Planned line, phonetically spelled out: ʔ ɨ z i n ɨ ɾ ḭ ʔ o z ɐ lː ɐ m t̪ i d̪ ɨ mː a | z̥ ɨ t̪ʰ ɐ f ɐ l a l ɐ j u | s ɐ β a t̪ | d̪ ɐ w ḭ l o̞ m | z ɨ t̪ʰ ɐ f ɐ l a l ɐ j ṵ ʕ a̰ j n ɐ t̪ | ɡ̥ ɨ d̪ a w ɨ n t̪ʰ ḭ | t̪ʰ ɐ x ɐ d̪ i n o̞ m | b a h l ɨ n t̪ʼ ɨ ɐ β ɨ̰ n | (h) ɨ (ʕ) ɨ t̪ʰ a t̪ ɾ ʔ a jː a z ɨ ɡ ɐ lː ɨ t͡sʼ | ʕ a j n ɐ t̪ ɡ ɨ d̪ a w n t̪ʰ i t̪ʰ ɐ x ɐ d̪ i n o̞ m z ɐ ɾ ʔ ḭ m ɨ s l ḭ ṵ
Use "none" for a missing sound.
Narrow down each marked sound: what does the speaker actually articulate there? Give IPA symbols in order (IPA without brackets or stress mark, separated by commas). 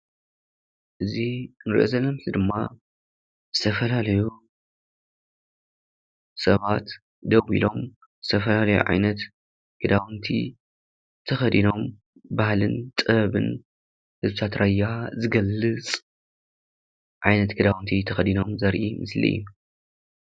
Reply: h, z